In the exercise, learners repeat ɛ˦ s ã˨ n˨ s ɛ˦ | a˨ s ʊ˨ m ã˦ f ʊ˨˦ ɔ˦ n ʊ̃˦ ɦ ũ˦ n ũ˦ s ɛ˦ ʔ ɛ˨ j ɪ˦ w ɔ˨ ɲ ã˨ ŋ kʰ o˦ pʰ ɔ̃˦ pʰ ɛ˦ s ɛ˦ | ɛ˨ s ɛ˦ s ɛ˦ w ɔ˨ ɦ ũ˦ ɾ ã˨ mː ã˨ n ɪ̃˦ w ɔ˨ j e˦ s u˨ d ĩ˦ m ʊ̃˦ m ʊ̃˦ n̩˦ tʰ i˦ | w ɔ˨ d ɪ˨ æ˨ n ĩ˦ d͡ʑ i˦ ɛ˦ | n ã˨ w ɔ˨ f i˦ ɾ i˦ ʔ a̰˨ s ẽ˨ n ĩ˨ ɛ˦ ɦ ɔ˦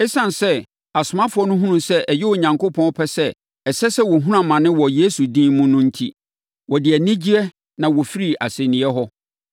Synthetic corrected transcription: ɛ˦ s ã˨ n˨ s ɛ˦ | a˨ s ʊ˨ m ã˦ f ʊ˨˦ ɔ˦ n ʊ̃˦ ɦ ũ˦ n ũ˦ s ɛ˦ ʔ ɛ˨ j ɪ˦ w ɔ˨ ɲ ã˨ ŋ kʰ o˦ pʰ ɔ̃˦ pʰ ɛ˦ s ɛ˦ | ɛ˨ s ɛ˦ s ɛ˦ w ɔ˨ ɦ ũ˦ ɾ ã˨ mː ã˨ n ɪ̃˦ w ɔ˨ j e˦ s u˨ d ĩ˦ m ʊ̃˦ n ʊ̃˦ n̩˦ tʰ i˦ | w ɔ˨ d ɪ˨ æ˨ n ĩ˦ d͡ʑ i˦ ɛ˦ | n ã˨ w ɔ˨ f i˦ ɾ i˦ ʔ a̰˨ s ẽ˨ n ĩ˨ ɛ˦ ɦ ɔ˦